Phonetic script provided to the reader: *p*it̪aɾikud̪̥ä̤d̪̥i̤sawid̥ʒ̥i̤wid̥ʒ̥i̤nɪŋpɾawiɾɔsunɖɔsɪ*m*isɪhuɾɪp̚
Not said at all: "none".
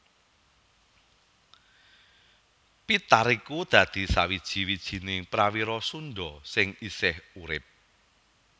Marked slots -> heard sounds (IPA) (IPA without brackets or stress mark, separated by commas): p, ŋ